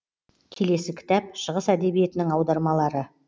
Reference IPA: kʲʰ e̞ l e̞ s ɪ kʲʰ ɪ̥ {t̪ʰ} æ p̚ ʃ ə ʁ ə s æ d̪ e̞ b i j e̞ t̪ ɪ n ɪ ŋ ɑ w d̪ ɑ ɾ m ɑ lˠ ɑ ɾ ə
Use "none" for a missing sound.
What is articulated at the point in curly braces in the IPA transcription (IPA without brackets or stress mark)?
t̪